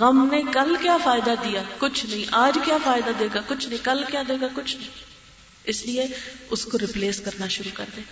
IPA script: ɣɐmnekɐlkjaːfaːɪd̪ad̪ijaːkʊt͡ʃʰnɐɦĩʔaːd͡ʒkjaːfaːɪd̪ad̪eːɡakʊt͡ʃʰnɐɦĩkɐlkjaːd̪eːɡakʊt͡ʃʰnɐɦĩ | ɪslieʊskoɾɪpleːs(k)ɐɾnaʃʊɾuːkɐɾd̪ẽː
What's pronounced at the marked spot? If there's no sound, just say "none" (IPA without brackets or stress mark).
k